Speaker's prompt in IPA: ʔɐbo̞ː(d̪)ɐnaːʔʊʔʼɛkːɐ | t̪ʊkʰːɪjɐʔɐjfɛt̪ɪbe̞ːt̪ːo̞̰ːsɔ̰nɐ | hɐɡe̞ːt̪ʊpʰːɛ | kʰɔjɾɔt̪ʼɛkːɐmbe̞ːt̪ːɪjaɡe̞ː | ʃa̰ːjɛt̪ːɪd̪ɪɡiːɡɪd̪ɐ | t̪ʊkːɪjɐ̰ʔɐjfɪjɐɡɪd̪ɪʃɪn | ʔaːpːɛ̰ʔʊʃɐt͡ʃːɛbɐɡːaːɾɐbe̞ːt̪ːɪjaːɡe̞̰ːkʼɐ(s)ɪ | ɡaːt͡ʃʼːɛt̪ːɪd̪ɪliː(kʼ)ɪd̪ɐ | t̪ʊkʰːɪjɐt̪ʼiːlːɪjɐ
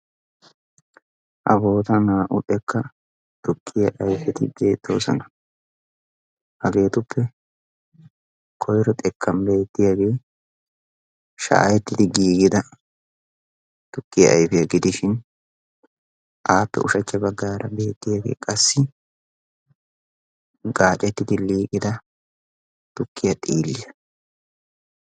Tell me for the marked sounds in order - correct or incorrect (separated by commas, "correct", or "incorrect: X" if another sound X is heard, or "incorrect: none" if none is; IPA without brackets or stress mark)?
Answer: incorrect: t̪, incorrect: sː, correct